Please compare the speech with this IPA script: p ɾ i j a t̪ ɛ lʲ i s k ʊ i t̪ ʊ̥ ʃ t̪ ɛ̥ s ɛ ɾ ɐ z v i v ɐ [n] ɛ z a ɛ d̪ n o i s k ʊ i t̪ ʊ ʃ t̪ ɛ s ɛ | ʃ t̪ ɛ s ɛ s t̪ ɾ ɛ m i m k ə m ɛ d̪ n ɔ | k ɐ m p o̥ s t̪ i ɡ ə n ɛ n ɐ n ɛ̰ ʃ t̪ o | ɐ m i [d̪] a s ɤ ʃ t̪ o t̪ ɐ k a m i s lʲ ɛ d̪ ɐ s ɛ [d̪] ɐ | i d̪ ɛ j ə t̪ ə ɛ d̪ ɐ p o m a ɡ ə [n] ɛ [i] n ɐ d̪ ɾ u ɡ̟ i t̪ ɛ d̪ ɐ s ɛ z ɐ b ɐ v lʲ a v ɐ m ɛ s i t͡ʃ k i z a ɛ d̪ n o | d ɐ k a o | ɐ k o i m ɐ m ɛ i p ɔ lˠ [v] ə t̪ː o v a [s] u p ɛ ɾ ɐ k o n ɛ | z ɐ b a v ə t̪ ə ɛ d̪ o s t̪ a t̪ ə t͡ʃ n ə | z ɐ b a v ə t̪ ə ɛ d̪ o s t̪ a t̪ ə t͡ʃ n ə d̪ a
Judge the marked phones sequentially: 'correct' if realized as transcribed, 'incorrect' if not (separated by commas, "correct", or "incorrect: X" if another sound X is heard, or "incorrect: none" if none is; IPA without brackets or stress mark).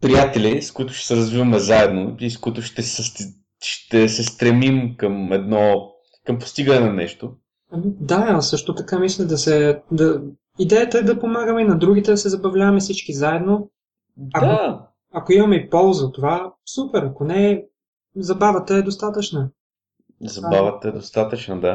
incorrect: m, correct, correct, incorrect: m, correct, incorrect: z, correct